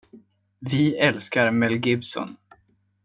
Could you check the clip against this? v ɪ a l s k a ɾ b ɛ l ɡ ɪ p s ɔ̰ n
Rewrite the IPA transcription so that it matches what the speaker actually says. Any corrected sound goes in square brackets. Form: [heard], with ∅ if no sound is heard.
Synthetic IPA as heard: v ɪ [ɛ] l s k a ɾ [m] ɛ l ɡ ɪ [b] s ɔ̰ n